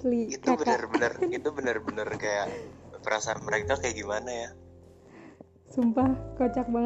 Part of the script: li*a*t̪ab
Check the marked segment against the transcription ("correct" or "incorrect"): incorrect